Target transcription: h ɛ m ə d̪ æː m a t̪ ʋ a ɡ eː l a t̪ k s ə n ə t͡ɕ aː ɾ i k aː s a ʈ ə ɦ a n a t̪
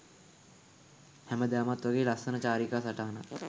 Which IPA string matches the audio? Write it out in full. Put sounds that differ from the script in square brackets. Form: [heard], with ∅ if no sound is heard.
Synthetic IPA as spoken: h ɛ m ə d̪ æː m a t̪ ʋ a ɡ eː l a [∅] k s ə n ə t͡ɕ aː ɾ i k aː s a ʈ [a] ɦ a n a t̪